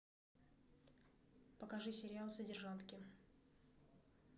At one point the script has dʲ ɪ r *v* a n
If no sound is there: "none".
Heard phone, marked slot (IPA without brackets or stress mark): ʐ